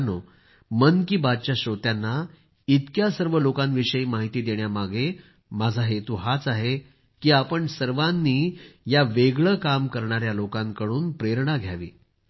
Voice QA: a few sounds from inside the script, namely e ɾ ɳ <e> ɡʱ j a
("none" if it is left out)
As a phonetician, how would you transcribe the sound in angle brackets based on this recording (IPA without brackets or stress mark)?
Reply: a